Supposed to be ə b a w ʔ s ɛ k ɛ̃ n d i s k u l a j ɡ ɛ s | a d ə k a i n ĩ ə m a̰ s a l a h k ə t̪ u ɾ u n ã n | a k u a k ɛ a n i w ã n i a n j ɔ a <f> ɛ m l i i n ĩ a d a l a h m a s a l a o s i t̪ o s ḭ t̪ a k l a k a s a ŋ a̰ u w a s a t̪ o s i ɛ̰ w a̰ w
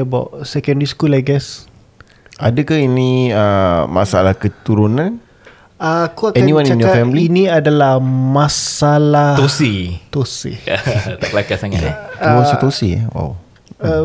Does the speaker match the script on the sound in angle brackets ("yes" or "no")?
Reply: yes